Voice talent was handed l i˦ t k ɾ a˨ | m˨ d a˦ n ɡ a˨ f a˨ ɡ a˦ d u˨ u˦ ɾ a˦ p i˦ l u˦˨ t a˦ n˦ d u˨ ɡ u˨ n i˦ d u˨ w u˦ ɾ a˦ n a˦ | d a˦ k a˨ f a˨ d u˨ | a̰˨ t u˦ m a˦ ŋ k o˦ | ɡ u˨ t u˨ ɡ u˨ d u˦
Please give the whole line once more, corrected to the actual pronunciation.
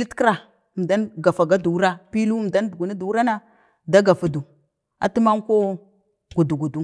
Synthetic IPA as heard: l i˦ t k ɾ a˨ | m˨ d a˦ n ɡ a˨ f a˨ ɡ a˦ d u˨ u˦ ɾ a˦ p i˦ l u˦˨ d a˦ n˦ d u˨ ɡ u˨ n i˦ d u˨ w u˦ ɾ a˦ n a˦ | d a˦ ɡ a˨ f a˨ d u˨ | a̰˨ t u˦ m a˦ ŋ k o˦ | ɡ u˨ d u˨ ɡ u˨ d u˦